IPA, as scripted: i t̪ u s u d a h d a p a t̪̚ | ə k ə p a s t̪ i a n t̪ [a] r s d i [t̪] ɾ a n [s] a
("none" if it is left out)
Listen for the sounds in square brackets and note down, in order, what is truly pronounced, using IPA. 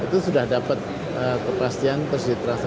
ə, t̪, s

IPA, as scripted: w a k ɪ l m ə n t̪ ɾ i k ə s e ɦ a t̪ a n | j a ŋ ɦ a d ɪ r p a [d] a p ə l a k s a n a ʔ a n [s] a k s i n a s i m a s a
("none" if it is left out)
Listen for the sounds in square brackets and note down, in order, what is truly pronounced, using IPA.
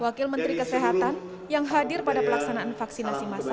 d, f

